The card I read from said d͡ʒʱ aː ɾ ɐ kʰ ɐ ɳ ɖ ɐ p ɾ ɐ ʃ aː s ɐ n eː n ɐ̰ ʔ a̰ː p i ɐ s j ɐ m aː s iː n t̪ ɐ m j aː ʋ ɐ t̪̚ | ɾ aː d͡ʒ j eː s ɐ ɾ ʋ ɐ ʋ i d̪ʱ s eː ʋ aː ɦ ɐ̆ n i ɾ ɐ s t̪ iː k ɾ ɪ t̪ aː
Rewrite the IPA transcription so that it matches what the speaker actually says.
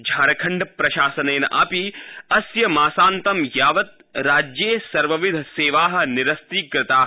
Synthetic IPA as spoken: d͡ʒʱ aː ɾ ɐ kʰ ɐ ɳ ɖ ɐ p ɾ ɐ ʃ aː s ɐ n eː n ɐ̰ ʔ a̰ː p i ɐ s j ɐ m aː s aː n t̪ ɐ m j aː ʋ ɐ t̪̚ | ɾ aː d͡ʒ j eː s ɐ ɾ ʋ ɐ ʋ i d̪ʱ s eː ʋ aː ɦ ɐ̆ n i ɾ ɐ s t̪ iː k ɾ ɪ t̪ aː